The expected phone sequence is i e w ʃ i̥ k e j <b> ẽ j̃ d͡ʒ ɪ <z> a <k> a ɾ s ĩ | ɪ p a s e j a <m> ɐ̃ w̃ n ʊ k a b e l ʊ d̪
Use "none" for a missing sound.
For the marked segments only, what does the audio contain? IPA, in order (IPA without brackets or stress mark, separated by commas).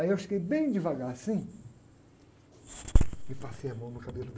b, v, ɡ, m